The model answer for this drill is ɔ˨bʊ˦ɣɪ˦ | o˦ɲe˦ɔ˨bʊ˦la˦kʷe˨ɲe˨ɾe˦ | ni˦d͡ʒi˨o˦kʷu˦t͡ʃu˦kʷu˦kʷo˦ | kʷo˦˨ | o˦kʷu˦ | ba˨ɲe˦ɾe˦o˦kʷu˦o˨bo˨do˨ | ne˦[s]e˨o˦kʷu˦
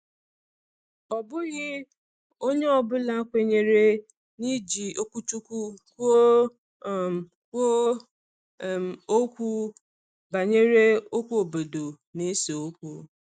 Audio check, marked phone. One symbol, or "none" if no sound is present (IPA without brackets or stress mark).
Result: s